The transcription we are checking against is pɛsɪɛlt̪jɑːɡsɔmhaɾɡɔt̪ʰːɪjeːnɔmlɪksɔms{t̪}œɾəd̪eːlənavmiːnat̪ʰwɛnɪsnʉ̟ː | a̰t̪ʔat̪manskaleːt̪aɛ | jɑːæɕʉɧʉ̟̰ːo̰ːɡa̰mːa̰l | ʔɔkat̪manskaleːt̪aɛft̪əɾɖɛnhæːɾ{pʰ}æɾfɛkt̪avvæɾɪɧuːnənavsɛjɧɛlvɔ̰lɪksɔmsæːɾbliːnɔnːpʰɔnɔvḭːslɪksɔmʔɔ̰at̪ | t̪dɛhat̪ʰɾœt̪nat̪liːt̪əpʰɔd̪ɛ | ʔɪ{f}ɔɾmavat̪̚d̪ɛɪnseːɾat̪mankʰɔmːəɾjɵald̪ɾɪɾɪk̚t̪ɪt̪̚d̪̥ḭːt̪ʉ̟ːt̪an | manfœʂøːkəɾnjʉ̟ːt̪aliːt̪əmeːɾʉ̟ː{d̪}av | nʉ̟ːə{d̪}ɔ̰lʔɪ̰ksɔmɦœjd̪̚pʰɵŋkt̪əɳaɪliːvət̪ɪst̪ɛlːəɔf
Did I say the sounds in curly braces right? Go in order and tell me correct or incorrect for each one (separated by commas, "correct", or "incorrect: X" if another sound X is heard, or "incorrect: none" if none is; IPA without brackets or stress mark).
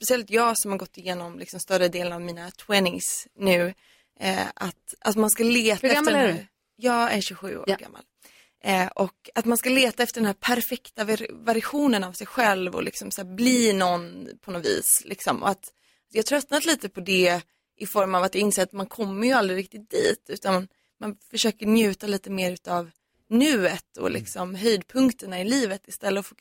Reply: correct, correct, correct, incorrect: t̪, incorrect: t̪